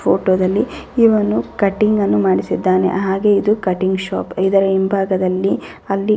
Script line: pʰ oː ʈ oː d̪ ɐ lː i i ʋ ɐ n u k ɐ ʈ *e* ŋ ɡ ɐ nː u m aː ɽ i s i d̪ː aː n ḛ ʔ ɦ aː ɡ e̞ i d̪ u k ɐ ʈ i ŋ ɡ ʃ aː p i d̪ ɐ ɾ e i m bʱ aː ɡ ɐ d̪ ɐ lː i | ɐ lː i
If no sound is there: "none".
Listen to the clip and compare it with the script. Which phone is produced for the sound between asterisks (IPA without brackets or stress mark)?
i